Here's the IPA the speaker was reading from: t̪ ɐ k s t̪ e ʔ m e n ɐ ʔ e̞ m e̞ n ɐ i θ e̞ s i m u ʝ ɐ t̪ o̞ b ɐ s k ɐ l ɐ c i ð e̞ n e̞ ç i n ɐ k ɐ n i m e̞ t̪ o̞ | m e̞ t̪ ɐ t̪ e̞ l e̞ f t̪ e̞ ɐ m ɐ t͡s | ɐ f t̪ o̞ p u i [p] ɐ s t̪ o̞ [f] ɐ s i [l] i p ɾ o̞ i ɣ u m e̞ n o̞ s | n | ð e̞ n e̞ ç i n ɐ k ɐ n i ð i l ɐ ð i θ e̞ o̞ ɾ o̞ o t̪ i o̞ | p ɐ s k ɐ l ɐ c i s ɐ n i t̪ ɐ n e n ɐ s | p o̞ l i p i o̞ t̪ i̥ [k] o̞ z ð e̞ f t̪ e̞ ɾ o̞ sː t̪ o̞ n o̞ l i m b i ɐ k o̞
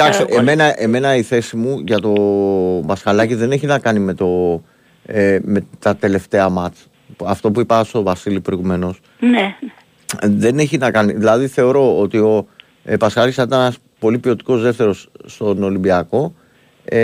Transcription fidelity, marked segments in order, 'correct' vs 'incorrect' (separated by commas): correct, incorrect, correct, correct